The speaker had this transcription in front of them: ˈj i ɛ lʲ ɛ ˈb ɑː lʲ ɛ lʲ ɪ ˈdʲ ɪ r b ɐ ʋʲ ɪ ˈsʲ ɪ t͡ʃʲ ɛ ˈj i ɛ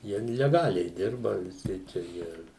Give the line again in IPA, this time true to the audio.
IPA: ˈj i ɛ lʲ ɛ ˈɡ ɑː lʲ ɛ ɪ ˈdʲ ɪ r b ɐ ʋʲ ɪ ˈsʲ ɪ t͡ʃʲ ɛ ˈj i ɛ